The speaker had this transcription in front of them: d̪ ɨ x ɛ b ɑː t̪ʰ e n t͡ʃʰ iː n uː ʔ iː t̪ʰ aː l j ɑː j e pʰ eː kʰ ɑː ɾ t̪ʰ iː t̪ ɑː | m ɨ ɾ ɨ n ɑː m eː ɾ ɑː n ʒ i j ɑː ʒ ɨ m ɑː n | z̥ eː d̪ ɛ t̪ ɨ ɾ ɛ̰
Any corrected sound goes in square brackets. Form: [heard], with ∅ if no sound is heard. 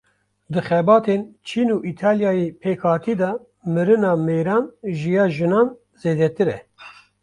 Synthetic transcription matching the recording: d̪ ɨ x ɛ b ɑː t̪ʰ e n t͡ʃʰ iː n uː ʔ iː t̪ʰ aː l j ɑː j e pʰ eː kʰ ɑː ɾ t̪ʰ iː [d̪] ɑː | m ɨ ɾ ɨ n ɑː m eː ɾ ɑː n ʒ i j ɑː ʒ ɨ [n] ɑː n | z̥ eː d̪ ɛ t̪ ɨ ɾ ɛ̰